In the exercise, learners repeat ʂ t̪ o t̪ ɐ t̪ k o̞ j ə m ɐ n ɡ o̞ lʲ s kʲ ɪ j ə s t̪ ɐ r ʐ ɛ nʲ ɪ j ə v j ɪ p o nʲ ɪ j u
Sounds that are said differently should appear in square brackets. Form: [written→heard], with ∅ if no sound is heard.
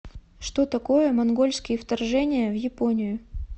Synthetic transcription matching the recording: ʂ t̪ o t̪ ɐ [t̪→∅] k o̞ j ə m ɐ n ɡ o̞ lʲ s kʲ ɪ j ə [s→f] t̪ ɐ r ʐ ɛ nʲ ɪ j ə v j ɪ p o nʲ ɪ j [u→ʊ]